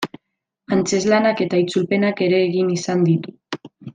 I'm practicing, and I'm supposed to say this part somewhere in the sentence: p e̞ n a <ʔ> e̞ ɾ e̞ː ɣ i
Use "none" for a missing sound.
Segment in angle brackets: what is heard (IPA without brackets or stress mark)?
k